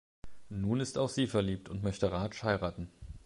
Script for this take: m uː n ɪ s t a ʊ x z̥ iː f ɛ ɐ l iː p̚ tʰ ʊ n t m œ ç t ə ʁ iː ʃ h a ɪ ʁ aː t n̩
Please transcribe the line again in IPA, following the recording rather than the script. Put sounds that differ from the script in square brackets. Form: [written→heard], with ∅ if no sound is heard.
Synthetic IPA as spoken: [m→n] uː n ɪ s t a ʊ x z̥ iː f ɛ ɐ l iː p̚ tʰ ʊ n t m œ ç t ə ʁ [iː→aː] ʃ h a ɪ ʁ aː t n̩